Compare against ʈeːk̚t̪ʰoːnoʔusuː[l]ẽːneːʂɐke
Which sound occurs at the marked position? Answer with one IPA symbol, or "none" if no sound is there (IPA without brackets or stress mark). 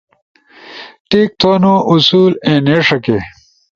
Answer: l